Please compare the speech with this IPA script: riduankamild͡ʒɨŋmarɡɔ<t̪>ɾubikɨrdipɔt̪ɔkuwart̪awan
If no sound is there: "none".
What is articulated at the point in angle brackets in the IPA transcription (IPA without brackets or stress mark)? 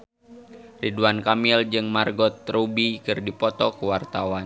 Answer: t̪